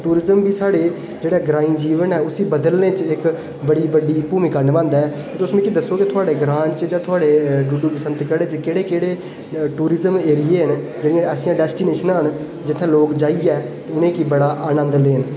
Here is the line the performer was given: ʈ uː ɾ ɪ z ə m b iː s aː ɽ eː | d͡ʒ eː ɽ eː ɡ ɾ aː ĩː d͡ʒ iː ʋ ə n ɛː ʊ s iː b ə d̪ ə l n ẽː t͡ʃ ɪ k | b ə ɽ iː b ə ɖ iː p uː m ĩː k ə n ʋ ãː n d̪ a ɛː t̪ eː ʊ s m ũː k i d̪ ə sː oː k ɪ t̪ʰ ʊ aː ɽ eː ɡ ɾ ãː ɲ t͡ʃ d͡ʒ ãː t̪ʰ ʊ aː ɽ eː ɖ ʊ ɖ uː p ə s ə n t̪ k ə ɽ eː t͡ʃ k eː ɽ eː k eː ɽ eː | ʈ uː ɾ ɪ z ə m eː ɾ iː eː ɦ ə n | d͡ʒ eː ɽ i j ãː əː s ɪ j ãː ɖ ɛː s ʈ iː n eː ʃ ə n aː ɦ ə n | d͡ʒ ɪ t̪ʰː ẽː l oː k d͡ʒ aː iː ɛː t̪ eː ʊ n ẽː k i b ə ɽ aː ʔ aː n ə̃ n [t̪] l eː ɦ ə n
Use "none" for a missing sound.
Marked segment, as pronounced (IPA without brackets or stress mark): d̪